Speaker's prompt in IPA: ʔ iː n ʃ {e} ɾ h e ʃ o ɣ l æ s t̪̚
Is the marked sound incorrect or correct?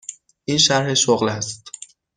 incorrect